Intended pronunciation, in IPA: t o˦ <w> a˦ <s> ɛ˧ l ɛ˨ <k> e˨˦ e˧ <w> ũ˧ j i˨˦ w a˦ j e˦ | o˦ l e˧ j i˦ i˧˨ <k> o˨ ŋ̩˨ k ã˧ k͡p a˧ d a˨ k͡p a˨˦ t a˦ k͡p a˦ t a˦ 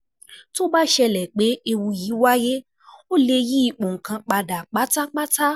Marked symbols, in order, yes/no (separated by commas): no, no, no, yes, no